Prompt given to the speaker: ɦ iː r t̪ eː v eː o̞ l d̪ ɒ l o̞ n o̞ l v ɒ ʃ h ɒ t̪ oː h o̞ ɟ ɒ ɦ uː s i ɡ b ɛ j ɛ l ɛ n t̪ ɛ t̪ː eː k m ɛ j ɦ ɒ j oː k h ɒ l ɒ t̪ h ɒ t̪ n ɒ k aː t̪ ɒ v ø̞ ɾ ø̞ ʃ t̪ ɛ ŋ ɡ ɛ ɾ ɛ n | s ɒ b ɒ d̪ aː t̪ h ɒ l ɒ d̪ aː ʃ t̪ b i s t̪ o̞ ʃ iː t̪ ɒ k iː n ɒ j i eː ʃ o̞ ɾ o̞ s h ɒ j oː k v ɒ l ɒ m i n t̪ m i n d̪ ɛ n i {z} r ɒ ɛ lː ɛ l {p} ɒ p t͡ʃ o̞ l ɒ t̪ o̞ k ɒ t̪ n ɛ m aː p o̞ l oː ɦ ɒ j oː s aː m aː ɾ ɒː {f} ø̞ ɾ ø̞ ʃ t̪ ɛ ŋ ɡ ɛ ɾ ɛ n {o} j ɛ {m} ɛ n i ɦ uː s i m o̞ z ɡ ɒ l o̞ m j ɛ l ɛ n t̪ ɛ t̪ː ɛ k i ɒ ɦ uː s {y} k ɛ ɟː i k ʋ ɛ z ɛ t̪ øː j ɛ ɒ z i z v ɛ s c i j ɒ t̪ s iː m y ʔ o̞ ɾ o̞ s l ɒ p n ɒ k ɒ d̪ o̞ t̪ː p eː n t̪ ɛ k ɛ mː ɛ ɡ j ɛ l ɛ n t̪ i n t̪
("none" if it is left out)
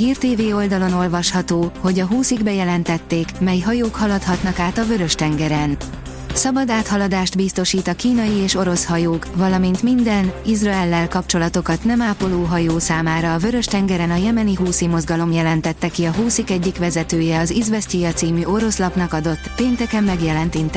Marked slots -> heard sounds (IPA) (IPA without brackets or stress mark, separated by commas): z, k, v, ɒ, m, i